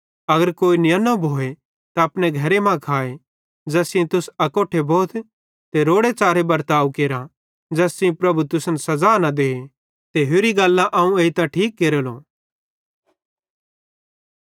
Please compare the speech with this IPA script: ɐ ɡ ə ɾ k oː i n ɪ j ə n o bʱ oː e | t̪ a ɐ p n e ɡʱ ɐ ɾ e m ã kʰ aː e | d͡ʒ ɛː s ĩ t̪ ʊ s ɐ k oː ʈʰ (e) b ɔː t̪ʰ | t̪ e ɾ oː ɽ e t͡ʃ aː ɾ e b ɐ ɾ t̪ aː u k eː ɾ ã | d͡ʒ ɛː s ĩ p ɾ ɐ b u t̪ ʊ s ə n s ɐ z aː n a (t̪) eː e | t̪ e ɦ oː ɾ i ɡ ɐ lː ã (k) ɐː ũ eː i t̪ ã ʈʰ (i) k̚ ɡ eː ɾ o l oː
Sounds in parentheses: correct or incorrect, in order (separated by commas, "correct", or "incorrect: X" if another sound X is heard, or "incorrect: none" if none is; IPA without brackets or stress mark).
correct, incorrect: d̪, incorrect: ʔ, incorrect: iː